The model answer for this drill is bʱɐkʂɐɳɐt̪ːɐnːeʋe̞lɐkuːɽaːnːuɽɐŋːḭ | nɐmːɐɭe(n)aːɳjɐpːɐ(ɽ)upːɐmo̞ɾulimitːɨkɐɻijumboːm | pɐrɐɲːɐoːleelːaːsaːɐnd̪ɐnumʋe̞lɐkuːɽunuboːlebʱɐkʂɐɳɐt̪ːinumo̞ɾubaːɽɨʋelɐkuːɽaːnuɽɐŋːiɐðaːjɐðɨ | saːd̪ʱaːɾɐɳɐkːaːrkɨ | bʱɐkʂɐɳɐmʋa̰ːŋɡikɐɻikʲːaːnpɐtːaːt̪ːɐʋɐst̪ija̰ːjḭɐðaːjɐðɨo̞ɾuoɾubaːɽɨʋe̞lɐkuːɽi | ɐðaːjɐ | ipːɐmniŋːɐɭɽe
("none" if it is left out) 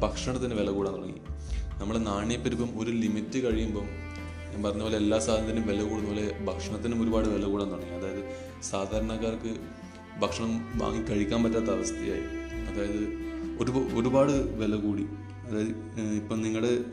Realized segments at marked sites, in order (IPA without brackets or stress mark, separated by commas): n, ɾ